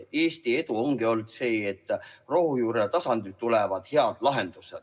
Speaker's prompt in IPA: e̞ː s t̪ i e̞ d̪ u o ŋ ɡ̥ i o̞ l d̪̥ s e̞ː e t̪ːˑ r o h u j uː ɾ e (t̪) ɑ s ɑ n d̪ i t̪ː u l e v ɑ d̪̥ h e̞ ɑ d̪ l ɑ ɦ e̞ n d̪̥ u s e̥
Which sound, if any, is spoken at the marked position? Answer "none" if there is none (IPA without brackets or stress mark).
t̪